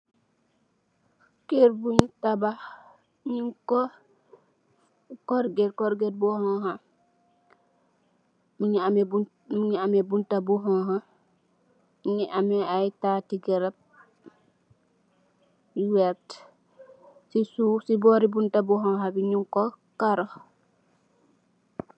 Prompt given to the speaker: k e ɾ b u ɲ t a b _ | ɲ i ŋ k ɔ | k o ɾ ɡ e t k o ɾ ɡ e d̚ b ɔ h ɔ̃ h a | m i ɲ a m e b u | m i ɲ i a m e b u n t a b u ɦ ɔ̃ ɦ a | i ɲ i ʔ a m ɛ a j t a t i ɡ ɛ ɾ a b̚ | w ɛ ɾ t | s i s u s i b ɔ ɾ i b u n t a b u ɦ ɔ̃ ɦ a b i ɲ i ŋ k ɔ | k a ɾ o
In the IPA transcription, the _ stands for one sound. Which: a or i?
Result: a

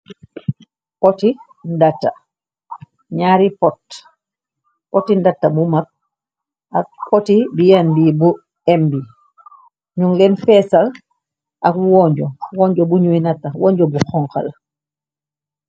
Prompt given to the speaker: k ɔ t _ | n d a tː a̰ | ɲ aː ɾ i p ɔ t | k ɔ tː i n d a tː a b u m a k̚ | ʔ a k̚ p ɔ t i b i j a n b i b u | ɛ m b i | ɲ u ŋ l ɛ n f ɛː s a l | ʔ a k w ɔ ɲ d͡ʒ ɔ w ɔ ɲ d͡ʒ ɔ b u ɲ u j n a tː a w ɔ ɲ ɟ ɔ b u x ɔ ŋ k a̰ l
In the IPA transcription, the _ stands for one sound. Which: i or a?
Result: i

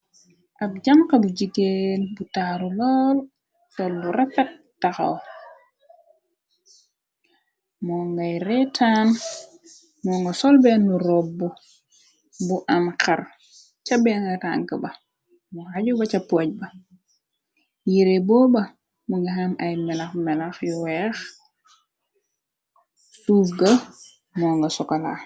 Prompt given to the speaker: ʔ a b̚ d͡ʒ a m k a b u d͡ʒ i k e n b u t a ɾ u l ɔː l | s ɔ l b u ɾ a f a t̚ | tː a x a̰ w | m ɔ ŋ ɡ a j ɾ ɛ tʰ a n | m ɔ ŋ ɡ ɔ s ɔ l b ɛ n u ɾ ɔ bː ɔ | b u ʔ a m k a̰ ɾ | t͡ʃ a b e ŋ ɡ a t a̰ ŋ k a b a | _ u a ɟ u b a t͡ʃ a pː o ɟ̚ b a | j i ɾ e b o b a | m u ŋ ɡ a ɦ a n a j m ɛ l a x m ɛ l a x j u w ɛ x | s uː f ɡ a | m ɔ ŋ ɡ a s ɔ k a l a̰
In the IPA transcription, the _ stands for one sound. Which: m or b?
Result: m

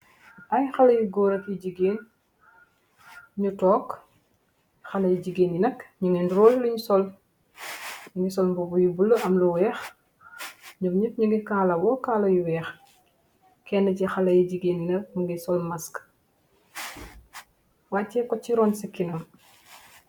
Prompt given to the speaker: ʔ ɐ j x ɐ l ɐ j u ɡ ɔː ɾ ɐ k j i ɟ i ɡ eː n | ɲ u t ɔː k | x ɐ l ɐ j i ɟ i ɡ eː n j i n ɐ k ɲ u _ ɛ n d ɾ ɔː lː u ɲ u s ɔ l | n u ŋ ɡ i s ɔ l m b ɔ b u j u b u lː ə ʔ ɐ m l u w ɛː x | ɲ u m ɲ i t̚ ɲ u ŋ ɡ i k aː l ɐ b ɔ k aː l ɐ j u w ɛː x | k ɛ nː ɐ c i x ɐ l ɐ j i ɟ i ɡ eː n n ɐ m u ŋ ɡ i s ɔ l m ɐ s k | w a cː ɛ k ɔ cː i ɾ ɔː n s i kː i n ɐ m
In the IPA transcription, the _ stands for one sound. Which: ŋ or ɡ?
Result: ŋ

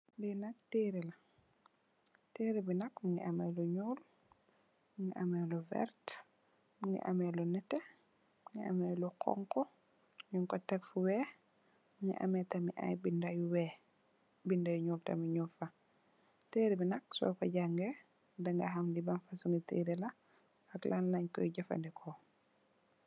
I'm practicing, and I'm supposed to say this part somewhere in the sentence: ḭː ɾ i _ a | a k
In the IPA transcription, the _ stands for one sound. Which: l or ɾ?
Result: l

